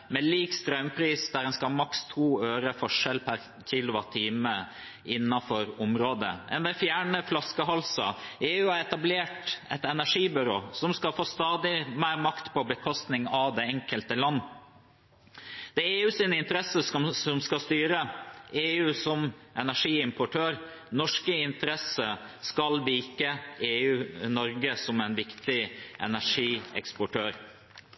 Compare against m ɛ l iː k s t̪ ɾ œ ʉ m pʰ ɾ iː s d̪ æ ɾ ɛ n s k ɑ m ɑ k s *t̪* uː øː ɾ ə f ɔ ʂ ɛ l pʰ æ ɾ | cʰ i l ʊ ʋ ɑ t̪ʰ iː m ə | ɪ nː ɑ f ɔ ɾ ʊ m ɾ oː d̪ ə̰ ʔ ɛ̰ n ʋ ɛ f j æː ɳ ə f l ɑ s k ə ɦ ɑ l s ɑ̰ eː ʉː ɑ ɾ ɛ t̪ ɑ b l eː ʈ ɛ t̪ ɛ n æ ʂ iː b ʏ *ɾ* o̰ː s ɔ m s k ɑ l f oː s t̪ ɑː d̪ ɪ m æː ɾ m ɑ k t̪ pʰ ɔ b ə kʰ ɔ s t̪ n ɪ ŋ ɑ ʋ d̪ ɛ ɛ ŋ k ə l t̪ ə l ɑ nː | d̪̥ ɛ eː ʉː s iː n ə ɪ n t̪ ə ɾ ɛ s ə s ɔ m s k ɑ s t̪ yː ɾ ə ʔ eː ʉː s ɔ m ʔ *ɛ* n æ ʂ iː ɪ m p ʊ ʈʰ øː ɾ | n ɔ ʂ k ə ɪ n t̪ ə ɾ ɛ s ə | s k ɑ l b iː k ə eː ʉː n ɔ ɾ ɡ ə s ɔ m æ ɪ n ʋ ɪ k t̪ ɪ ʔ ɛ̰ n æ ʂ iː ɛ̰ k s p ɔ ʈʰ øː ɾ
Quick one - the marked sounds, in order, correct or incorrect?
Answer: incorrect, correct, correct

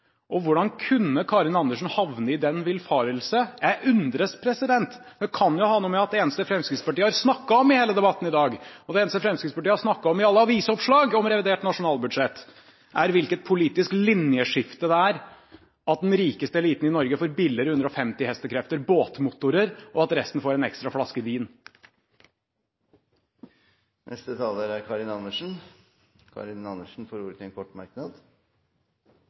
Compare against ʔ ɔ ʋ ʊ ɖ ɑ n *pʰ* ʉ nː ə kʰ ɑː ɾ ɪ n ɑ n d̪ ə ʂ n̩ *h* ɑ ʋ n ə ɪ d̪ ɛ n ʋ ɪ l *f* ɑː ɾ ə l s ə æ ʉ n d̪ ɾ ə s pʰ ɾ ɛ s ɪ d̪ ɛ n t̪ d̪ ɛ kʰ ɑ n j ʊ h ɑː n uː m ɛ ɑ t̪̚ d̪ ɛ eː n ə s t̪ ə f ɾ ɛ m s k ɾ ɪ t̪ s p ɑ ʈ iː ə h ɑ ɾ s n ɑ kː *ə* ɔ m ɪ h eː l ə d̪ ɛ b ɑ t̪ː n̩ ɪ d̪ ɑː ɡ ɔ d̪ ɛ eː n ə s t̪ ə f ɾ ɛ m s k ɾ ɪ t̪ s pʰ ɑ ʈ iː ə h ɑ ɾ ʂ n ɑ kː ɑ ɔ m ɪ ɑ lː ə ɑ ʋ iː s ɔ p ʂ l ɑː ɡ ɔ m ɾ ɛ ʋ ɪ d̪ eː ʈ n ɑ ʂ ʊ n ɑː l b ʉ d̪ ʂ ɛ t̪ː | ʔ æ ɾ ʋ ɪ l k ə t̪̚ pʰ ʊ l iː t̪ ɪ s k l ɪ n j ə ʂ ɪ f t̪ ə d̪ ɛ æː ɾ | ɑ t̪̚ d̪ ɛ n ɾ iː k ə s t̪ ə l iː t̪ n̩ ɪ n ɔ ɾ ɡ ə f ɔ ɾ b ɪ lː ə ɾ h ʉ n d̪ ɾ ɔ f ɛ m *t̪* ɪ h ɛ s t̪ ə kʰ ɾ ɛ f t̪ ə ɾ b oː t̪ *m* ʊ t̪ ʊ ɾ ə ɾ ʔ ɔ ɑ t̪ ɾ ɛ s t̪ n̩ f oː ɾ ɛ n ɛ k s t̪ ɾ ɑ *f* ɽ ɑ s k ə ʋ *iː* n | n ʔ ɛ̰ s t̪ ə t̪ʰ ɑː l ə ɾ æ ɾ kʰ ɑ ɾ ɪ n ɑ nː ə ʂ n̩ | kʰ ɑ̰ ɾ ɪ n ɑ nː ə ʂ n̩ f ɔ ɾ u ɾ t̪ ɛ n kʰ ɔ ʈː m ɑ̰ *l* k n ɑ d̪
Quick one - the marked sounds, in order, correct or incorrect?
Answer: incorrect, correct, correct, incorrect, correct, correct, correct, correct, incorrect

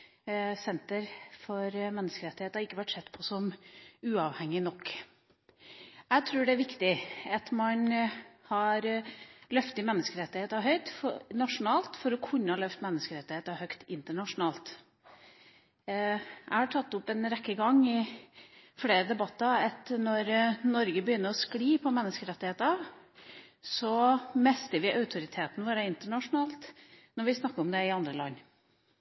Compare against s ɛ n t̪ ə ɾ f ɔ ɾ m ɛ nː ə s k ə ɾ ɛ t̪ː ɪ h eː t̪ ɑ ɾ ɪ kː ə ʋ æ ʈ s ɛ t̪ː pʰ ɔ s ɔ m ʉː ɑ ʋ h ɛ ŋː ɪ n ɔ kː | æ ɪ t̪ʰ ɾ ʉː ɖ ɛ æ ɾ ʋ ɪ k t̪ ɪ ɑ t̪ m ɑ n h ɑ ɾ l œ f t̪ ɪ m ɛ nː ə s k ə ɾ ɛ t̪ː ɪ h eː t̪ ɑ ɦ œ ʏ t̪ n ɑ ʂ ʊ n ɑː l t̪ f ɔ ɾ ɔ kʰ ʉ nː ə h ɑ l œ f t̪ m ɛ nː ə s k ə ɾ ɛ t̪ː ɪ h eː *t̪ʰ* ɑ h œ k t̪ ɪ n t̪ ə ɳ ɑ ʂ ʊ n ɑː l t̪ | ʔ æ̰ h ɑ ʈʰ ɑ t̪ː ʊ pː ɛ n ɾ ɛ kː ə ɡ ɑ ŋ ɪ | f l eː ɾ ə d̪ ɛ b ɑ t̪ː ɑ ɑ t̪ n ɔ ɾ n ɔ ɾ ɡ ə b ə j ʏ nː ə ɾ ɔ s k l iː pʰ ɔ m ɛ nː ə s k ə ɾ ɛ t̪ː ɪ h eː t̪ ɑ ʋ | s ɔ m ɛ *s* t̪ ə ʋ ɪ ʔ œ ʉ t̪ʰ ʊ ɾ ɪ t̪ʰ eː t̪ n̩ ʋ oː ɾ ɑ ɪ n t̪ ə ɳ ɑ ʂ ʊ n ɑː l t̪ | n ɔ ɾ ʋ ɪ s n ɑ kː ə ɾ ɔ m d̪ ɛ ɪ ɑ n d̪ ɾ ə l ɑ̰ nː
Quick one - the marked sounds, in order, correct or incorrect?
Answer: incorrect, correct

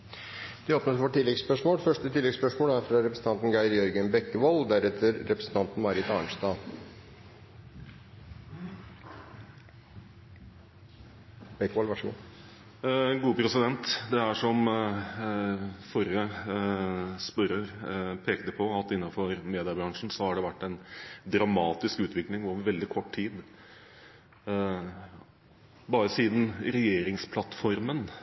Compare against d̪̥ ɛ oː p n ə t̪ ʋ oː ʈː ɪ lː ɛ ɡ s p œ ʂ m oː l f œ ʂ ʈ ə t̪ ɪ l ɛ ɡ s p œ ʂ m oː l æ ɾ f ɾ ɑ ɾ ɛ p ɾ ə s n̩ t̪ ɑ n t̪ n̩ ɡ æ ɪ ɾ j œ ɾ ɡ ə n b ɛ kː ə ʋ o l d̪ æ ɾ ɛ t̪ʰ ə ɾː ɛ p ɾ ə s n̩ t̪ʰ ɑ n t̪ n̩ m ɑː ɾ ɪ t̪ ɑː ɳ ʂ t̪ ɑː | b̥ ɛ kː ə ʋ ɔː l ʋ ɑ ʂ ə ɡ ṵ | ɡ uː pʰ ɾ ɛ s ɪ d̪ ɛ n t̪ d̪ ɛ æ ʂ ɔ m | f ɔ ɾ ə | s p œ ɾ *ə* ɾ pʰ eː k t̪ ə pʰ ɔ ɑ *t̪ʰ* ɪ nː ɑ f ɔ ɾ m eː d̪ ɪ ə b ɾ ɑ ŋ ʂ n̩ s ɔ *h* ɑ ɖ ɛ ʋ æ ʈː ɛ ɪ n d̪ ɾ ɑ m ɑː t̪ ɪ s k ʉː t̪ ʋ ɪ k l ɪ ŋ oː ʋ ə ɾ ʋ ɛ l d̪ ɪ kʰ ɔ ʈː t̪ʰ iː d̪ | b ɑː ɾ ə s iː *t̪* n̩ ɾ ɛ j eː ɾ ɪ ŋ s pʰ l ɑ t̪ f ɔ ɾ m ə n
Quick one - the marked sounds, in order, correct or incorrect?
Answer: correct, incorrect, correct, incorrect

